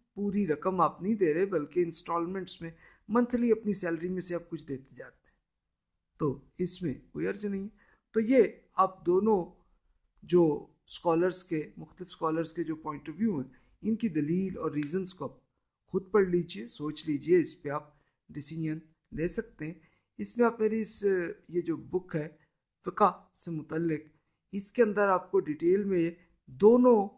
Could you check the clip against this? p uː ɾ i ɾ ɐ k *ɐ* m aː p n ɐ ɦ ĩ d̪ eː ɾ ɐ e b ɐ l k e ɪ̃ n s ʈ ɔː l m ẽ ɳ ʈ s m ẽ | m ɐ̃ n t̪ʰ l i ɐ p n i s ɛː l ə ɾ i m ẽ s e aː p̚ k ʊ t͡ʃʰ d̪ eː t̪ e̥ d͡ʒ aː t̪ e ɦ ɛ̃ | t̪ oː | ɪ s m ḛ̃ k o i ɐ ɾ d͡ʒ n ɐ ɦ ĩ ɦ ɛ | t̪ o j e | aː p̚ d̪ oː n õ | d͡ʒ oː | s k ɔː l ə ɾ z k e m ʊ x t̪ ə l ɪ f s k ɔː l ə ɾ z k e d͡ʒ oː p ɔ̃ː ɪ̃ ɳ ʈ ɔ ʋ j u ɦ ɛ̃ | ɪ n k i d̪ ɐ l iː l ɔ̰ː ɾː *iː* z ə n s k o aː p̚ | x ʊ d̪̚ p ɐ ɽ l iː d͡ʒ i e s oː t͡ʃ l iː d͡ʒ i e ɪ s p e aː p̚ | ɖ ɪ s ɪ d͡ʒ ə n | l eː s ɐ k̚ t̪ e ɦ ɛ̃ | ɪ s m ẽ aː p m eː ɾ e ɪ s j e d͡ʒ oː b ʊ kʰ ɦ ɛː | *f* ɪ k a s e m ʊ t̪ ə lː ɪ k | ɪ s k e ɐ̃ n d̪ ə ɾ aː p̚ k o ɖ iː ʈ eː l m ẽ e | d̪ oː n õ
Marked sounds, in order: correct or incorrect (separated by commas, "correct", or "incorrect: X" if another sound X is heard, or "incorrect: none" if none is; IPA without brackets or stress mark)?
incorrect: ə, correct, correct